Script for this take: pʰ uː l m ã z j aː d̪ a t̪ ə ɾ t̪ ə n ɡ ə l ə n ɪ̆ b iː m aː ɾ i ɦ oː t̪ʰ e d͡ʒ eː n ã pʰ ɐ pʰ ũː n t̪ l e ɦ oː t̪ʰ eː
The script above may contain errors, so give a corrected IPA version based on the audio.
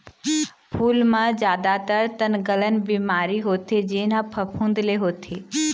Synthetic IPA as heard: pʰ uː l m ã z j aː d̪ a t̪ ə ɾ t̪ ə n ɡ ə l ə n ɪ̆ b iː m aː ɾ i ɦ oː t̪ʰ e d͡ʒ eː n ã pʰ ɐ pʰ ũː n d̪ l e ɦ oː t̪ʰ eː